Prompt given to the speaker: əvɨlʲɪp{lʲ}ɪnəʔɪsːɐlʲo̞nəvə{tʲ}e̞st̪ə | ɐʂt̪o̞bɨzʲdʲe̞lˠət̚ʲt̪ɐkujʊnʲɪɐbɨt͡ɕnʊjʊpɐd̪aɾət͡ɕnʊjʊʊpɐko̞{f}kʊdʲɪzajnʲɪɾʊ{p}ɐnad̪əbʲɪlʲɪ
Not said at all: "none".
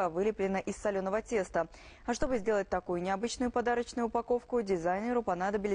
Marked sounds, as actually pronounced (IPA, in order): lʲ, tʲ, f, p

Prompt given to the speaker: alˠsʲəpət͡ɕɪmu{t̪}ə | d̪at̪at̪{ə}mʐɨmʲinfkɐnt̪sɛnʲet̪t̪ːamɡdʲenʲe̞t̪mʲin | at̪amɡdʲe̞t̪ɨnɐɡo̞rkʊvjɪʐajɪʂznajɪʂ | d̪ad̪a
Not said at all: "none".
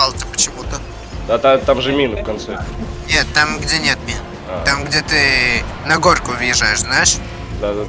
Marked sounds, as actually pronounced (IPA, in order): t̪, a

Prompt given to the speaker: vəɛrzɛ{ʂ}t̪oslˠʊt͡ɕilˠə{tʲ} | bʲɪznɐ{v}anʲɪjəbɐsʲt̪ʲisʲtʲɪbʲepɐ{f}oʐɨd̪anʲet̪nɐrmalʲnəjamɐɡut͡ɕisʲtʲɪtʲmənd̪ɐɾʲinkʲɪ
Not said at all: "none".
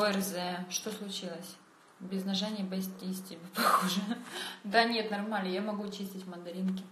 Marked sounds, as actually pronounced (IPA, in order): ʂ, sʲ, ʐ, x

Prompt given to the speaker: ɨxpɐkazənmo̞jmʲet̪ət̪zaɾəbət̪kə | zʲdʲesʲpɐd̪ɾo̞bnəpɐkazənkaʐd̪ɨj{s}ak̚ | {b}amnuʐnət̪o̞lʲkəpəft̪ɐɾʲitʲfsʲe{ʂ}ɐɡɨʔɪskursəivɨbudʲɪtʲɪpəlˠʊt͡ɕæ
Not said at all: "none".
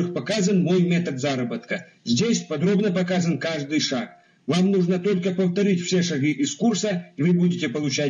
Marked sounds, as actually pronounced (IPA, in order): ʂ, v, ʂ

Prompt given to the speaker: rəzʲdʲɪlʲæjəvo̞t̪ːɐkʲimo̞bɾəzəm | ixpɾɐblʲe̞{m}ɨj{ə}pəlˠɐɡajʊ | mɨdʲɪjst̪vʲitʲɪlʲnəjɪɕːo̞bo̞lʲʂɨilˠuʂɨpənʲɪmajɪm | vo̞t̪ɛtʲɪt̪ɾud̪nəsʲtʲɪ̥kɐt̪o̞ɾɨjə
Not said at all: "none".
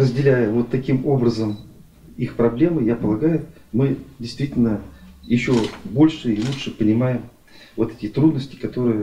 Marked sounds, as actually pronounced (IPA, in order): m, a

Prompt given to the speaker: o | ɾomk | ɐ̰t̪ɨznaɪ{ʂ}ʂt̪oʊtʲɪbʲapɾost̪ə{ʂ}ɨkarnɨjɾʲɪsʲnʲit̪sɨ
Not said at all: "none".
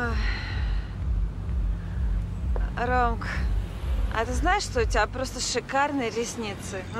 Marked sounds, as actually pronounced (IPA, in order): ʂ, ʂ

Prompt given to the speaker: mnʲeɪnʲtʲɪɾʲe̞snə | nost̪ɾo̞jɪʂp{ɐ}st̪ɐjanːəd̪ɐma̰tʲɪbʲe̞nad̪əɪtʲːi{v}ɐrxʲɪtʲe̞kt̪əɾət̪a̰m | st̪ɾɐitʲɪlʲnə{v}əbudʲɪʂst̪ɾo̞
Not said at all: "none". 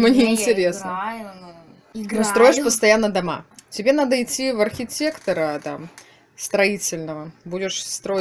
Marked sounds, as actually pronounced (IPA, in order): ə, v, v

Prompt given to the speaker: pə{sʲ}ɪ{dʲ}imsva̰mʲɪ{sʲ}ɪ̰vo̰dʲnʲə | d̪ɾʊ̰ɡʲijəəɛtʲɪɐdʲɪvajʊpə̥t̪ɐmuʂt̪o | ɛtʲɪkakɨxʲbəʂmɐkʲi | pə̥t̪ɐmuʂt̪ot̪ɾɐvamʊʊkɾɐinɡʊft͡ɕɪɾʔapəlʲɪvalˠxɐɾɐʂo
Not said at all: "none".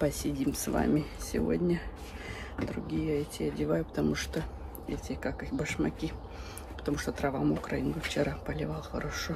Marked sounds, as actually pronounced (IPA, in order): sʲ, dʲ, sʲ

